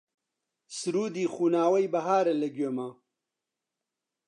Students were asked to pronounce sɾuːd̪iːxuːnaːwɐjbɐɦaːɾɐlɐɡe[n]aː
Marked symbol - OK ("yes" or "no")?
no